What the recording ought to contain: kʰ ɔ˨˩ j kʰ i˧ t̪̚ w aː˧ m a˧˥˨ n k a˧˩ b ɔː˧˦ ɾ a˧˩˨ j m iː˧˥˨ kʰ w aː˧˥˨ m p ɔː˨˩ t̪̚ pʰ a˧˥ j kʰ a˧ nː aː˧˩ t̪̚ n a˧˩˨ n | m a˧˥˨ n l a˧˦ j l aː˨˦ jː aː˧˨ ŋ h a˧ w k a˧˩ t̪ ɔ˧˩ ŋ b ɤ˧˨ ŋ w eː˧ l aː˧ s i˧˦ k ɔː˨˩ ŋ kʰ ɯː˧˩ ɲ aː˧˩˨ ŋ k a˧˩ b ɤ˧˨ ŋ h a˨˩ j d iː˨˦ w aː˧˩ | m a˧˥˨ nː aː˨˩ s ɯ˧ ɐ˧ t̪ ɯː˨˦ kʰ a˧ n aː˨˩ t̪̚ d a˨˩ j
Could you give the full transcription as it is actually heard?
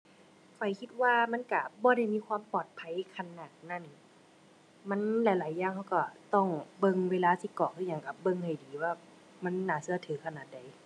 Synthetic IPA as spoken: kʰ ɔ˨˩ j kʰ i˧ t̪̚ w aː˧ m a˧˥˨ n k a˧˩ b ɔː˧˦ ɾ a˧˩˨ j m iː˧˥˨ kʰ w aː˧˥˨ m p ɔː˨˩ t̪̚ pʰ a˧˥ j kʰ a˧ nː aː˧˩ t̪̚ n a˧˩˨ n | m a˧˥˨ n l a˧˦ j l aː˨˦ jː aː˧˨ ŋ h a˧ w k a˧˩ t̪ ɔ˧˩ ŋ b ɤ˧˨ ŋ w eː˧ l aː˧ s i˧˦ k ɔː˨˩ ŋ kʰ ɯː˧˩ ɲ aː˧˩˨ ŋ k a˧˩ b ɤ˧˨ ŋ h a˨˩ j d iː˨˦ w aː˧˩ | m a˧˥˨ nː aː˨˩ s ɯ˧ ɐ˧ t̪ʰ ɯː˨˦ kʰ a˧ n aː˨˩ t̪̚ d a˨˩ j